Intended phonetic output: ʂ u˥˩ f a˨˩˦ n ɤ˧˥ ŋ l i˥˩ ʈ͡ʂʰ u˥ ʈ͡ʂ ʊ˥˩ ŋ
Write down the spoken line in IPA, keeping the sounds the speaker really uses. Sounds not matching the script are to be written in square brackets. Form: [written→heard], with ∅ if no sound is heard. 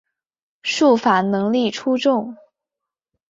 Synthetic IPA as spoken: ʂ u˥˩ f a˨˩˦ n ɤ˧˥ ŋ l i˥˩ ʈ͡ʂʰ u˥ ʈ͡ʂ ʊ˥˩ ŋ